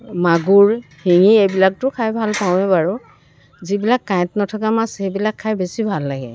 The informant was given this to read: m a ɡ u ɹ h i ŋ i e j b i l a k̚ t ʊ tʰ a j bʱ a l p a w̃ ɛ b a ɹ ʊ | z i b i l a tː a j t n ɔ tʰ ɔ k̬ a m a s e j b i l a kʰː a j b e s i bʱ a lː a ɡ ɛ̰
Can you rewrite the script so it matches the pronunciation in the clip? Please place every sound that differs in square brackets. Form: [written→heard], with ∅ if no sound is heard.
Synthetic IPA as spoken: m a ɡ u ɹ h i ŋ i e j b i l a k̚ t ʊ [tʰ→kʰ] a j bʱ a l p a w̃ ɛ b a ɹ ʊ | z i b i l a [tː→kː] a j t n ɔ tʰ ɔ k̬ a m a s e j b i l a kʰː a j b e s i bʱ a lː a ɡ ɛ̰